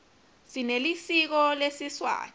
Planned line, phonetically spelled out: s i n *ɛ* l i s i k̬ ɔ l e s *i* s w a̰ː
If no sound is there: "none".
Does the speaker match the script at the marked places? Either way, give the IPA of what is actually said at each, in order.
e, i

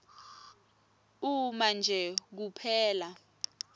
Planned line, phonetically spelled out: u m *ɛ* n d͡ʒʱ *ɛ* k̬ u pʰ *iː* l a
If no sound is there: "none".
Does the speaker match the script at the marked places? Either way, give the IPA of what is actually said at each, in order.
a, ɛ, ɛː

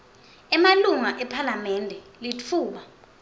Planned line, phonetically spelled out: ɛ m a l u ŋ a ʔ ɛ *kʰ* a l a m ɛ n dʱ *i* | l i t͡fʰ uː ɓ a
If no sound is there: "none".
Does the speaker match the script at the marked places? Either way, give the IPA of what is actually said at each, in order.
pʰ, ɛ

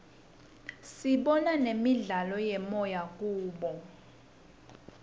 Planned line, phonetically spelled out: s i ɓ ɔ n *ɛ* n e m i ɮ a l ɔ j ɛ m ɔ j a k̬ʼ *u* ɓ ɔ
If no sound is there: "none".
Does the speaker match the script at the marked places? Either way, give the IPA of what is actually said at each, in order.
a, uː

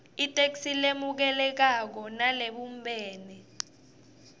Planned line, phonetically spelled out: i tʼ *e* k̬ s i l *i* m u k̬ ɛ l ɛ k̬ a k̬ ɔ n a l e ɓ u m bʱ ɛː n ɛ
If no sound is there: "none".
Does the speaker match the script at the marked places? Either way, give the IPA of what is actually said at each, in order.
e, e

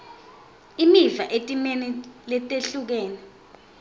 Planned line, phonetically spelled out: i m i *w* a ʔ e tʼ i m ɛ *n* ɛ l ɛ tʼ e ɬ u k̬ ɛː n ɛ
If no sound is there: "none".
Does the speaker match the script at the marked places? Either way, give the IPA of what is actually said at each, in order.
v, n

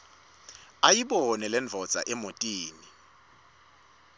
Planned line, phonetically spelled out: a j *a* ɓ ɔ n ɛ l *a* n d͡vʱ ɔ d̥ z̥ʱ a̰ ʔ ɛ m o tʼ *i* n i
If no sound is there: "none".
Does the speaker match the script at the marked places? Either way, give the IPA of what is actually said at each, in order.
i, ɛ, iː

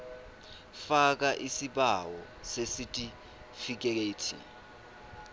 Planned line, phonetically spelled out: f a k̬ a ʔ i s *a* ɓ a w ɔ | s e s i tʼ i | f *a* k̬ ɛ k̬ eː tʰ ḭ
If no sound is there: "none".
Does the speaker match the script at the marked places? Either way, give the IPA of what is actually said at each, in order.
i, i

